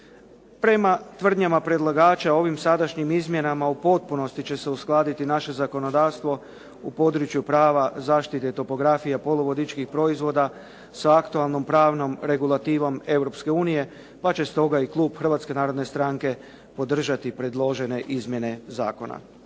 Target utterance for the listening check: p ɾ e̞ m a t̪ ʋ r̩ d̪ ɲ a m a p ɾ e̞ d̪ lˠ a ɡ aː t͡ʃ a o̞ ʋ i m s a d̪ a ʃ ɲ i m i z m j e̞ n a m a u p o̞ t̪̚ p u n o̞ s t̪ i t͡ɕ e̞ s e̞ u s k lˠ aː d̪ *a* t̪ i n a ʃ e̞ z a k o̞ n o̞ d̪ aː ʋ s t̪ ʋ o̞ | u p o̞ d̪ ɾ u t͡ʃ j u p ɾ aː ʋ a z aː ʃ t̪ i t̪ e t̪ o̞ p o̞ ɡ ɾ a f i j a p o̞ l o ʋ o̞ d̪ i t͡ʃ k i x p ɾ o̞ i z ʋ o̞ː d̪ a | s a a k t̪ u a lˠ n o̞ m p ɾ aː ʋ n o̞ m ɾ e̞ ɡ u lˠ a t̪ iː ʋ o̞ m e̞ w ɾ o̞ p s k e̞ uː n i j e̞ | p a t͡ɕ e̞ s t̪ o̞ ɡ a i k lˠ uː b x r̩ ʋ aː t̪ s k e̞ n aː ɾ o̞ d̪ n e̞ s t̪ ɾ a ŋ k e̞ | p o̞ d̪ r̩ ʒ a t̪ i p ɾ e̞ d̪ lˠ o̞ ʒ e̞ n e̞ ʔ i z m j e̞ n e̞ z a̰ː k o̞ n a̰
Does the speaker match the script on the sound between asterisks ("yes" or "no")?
no